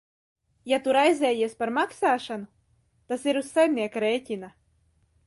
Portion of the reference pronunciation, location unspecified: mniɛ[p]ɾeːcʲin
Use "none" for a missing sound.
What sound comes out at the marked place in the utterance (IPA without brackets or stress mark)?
k